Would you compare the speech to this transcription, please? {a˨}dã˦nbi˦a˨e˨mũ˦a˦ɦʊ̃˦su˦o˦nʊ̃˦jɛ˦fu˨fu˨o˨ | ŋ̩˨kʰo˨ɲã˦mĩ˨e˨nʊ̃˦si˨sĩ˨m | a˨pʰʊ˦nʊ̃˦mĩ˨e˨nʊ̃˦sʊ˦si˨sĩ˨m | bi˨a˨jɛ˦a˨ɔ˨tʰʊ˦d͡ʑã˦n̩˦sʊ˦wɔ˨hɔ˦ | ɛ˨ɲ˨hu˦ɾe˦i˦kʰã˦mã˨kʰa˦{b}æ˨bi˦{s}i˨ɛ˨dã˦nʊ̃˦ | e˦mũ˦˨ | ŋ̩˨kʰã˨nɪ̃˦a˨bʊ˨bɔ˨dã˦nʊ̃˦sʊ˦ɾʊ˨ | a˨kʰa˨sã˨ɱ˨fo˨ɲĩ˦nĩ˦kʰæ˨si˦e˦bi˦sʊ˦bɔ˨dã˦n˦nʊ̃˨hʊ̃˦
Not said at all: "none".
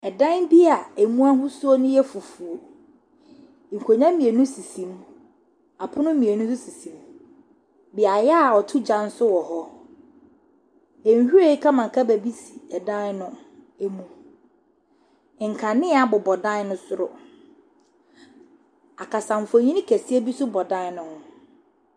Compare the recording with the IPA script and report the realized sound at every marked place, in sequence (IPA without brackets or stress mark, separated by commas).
ɛ˨, b, s